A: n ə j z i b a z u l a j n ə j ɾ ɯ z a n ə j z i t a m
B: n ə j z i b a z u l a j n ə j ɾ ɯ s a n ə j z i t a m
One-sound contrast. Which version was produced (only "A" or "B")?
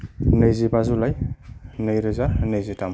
A